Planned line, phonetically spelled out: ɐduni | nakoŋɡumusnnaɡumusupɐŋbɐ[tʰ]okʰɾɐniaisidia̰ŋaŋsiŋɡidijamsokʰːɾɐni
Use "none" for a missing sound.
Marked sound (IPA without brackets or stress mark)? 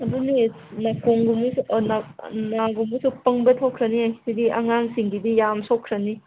tʰ